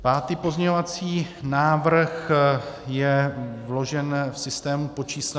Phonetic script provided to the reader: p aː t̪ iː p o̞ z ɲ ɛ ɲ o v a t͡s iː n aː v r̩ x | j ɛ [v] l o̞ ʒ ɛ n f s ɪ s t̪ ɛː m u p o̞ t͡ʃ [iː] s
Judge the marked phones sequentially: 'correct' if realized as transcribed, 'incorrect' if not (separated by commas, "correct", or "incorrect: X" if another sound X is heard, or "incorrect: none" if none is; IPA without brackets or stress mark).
correct, correct